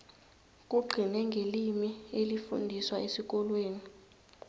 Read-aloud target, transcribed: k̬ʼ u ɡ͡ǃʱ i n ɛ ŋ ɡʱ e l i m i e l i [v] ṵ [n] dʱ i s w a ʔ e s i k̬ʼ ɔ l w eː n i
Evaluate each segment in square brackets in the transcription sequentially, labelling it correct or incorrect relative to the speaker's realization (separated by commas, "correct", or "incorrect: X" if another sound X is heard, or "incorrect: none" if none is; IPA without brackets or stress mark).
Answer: incorrect: f, correct